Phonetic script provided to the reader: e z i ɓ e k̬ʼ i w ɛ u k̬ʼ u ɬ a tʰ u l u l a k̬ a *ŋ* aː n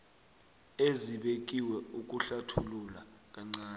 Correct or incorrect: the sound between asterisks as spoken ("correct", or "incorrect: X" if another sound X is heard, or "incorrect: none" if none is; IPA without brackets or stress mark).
incorrect: ŋ͡ǀ